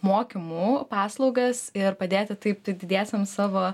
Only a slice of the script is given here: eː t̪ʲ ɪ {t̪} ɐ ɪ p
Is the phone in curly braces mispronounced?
no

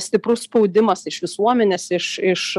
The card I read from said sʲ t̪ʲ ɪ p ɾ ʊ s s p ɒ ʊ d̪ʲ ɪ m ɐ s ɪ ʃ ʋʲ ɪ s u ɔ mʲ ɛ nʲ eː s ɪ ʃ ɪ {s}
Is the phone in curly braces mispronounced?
yes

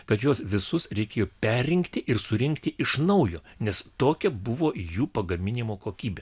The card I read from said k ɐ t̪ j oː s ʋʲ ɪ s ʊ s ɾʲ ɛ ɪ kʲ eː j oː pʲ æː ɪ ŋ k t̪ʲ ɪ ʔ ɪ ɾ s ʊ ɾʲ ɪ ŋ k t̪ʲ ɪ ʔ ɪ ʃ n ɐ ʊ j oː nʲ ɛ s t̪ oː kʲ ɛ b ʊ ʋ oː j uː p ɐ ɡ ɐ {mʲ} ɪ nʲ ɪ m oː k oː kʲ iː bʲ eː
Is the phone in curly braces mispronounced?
no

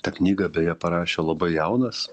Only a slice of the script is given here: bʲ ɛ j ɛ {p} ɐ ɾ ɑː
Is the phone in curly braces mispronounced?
no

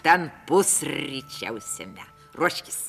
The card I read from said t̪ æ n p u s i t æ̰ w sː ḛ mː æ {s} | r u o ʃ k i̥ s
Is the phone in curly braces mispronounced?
yes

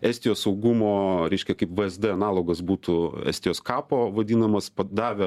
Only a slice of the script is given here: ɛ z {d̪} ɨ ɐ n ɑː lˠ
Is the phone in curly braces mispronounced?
no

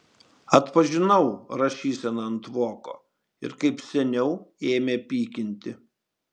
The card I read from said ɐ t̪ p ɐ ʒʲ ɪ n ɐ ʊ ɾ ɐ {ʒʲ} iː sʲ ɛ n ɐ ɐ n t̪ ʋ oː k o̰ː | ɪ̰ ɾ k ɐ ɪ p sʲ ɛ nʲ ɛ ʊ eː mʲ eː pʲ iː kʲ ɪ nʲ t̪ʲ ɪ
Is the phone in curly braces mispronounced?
yes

